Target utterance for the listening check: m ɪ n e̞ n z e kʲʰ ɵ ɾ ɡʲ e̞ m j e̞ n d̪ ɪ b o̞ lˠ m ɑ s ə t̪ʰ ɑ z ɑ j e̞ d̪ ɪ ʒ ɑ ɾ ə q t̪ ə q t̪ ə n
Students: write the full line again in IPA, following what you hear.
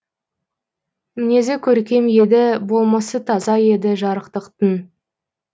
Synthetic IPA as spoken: m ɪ n e̞ z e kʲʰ ɵ ɾ kʲ e̞ m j e̞ d̪ ɪ b o̞ lˠ m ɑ s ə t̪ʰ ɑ z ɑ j e̞ d̪ ɪ ʒ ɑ ɾ ə q t̪ ə q t̪ ə n